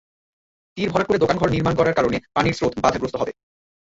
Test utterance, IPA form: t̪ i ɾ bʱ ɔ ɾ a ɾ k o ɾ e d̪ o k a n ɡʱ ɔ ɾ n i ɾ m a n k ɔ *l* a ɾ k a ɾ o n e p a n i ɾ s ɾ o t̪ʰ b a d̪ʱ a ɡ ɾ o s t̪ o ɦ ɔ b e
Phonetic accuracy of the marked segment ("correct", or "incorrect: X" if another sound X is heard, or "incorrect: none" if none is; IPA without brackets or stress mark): incorrect: ɾ